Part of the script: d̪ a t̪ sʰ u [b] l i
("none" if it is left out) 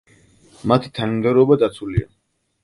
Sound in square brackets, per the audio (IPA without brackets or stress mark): none